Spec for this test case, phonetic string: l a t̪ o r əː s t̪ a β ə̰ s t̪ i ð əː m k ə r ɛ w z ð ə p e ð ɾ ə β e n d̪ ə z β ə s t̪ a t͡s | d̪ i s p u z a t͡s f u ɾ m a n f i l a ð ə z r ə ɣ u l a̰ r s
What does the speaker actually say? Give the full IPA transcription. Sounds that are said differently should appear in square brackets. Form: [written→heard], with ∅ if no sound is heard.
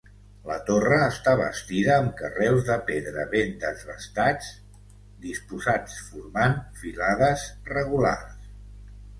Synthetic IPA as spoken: l [a→ə] t̪ o r əː s t̪ a β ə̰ s t̪ i ð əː m k ə r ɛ w z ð ə p e ð ɾ ə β e n d̪ ə z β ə s t̪ a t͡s | d̪ i s p u z a t͡s f u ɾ m a n f i l a ð ə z r ə ɣ u l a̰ r s